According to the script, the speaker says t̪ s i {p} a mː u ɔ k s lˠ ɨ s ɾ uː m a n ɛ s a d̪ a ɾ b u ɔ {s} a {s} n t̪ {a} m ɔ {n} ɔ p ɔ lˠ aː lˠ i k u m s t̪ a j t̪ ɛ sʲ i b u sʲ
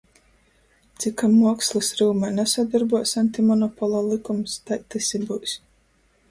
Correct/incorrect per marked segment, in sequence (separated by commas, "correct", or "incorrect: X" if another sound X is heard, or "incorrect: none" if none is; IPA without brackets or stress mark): incorrect: k, correct, incorrect: none, incorrect: i, correct